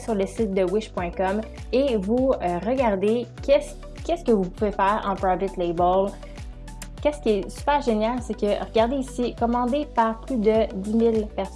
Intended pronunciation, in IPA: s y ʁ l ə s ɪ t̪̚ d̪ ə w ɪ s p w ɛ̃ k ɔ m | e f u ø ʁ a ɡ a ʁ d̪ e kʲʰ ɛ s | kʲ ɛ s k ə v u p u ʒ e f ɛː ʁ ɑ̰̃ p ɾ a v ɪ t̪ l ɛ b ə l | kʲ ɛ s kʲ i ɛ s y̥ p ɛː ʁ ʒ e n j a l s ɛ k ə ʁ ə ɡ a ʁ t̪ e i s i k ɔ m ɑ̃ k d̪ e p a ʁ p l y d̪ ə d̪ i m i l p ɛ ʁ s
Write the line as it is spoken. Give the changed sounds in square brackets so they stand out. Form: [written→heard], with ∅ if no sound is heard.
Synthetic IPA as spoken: s y ʁ l ə s ɪ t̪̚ d̪ ə w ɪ [s→ʃ] p w ɛ̃ k ɔ m | e [f→v] u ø ʁ [a→ə] ɡ a ʁ d̪ e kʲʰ ɛ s | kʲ ɛ s k ə v u p u [ʒ→v] e f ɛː ʁ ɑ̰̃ p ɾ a v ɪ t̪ l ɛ b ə l | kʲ ɛ s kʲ i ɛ s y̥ p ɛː ʁ ʒ e n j a l s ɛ k ə ʁ ə ɡ a ʁ [t̪→d̪] e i s i k ɔ m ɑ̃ [k→∅] d̪ e p a ʁ p l y d̪ ə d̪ i m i l p ɛ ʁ s